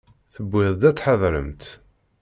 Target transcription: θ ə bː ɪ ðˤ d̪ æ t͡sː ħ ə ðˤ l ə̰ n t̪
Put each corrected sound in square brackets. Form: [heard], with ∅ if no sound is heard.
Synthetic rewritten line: θ ə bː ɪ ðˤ d̪ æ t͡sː ħ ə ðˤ [ɾ] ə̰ [m] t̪